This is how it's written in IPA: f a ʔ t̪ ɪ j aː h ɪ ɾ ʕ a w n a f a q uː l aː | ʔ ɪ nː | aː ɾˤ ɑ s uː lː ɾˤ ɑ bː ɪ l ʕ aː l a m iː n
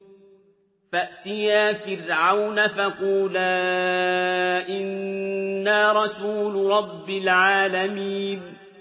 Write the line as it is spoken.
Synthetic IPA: f a ʔ t̪ ɪ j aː f ɪ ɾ ʕ a w n a f a q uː l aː | ʔ ɪ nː | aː ɾˤ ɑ s uː l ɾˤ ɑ bː ɪ l ʕ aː l a m iː n